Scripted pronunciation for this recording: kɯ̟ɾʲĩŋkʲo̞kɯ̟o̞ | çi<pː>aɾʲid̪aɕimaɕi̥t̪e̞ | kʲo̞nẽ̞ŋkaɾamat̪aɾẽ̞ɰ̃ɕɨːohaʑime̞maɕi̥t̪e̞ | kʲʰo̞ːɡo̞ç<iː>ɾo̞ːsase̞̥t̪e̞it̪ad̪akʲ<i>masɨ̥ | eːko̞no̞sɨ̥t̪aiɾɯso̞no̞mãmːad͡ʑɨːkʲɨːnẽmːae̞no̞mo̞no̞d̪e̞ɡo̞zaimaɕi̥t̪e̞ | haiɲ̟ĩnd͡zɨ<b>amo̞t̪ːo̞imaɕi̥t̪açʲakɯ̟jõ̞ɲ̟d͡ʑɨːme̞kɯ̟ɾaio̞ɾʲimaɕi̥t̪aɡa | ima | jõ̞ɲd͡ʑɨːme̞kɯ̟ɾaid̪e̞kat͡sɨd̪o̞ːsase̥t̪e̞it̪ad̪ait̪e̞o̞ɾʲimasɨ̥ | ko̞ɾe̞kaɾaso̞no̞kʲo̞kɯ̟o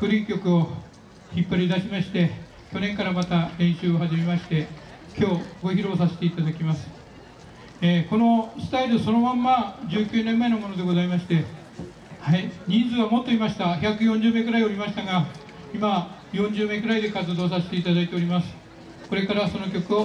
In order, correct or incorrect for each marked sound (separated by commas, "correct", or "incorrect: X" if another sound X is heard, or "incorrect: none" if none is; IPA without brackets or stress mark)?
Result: correct, incorrect: i, correct, incorrect: β